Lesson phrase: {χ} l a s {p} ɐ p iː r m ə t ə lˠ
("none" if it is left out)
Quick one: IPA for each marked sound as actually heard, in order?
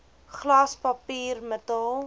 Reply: χ, p

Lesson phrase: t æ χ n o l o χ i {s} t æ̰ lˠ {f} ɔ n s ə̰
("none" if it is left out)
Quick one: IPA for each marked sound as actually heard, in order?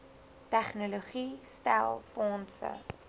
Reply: s, f

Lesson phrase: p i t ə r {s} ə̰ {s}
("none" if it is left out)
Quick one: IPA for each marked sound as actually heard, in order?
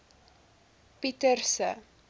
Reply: s, none

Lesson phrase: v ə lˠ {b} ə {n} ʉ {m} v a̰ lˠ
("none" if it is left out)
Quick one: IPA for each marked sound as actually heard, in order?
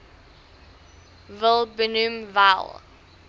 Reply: b, n, m

